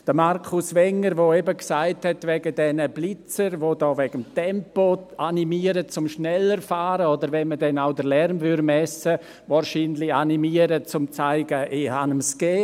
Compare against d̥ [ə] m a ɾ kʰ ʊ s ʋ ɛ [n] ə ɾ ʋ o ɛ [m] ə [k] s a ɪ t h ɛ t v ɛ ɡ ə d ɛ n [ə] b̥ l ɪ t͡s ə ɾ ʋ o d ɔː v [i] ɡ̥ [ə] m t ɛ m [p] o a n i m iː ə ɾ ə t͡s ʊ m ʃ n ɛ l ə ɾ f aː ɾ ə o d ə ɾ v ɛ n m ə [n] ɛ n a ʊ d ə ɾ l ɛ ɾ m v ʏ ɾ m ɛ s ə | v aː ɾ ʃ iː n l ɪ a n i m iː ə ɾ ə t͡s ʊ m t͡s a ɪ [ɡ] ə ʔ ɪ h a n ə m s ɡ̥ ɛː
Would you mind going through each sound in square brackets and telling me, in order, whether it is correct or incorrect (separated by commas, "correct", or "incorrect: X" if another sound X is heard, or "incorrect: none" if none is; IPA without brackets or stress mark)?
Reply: correct, incorrect: ŋ, incorrect: b, correct, correct, incorrect: ɛ, correct, correct, incorrect: d, correct